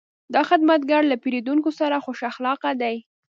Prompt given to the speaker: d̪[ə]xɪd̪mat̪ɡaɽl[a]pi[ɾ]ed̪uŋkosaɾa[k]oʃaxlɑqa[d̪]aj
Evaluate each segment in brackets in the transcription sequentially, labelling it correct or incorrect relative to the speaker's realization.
incorrect, correct, correct, incorrect, correct

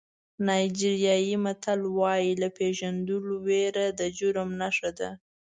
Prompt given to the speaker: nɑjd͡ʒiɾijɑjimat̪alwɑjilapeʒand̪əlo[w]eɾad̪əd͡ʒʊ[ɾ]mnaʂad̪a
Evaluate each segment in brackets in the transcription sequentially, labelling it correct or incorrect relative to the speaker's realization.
correct, correct

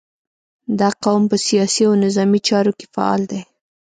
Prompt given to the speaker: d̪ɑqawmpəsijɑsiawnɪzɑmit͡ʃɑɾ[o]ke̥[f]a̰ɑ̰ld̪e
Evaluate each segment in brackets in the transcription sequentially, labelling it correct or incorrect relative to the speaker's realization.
correct, correct

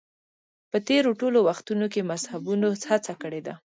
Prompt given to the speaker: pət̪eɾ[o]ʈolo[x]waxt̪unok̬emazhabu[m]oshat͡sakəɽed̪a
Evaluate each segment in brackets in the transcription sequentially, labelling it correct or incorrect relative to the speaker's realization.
correct, incorrect, incorrect

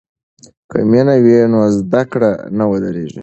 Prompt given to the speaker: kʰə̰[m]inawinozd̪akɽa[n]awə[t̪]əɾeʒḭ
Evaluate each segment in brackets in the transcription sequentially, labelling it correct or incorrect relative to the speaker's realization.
correct, correct, incorrect

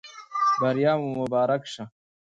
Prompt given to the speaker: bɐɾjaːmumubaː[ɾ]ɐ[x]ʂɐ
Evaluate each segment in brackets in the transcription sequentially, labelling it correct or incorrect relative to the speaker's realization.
correct, incorrect

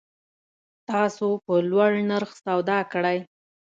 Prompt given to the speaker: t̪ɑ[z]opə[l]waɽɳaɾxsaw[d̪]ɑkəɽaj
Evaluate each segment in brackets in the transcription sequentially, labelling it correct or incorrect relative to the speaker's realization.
incorrect, correct, correct

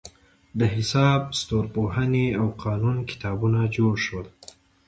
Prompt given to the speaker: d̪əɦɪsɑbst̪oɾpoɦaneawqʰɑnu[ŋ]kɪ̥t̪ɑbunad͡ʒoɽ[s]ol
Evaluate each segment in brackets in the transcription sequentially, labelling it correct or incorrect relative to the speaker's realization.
incorrect, incorrect

